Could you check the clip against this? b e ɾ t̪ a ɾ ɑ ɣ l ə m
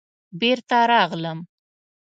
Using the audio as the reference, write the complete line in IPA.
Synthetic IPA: b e ɾ t̪ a ɾ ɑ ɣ l ə m